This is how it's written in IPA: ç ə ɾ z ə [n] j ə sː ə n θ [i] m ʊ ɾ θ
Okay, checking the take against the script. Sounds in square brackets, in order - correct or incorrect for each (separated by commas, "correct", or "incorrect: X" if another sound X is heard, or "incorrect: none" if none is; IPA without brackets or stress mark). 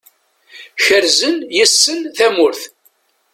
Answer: correct, incorrect: æ